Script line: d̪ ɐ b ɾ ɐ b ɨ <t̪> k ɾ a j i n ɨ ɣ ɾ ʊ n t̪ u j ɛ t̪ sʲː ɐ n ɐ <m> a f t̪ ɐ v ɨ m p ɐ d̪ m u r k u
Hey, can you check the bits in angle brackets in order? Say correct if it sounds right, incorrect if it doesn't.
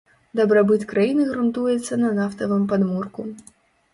correct, incorrect

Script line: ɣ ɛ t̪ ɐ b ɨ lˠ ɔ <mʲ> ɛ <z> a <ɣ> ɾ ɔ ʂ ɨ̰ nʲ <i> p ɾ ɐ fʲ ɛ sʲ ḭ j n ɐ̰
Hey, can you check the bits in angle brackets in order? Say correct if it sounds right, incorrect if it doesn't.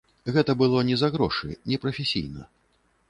incorrect, correct, correct, incorrect

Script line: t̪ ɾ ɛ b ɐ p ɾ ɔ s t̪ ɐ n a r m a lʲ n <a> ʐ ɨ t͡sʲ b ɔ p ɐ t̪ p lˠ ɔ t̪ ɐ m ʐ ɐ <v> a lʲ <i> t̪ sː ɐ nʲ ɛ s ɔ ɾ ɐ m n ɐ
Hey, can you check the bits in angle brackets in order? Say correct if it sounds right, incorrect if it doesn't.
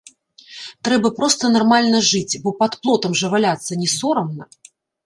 incorrect, correct, incorrect

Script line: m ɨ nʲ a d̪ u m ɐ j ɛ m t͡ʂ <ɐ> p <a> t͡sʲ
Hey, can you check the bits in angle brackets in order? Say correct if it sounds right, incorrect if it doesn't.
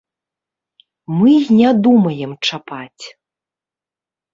incorrect, correct

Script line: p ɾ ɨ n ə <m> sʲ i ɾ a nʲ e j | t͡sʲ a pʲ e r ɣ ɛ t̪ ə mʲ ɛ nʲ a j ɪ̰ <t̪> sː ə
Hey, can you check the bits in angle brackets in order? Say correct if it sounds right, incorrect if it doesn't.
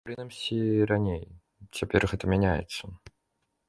correct, correct

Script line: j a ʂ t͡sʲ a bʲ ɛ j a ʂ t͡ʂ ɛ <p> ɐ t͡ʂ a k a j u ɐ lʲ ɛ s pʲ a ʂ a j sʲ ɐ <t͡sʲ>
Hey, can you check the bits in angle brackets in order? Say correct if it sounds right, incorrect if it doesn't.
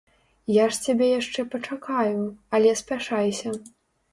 correct, incorrect

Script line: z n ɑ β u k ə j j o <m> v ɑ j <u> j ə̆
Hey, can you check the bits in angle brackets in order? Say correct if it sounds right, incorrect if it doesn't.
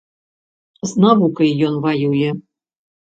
incorrect, correct

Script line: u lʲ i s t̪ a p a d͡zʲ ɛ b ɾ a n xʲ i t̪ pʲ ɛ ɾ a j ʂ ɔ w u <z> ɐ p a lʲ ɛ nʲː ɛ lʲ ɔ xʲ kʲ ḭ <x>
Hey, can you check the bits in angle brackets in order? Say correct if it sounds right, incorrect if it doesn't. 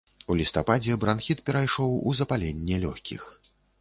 correct, correct

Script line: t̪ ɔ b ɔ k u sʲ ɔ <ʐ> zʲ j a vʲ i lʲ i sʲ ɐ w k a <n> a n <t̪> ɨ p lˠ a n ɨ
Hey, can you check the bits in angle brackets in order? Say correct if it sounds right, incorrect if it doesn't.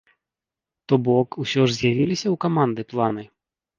correct, incorrect, incorrect

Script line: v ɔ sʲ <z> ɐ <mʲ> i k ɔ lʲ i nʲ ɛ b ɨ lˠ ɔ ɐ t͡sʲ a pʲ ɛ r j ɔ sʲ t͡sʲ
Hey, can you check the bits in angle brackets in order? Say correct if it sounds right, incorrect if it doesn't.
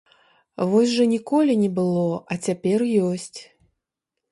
incorrect, incorrect

